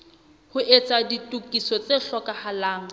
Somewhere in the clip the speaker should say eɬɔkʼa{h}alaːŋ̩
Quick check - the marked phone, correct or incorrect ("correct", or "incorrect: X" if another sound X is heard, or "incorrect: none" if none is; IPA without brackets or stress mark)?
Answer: correct